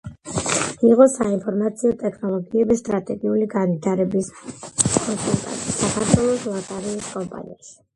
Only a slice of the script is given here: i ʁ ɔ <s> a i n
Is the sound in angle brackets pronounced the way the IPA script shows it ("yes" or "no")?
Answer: yes